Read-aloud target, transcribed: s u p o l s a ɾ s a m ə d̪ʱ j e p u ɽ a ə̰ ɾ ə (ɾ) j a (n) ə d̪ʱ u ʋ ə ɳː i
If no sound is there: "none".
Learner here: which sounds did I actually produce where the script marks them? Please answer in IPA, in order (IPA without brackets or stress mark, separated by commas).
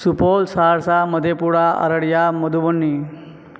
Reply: ɽ, m